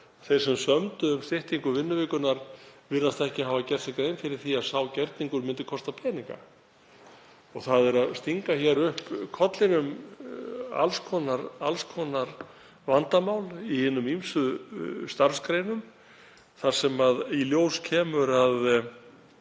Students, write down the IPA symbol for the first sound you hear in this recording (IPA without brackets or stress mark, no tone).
θ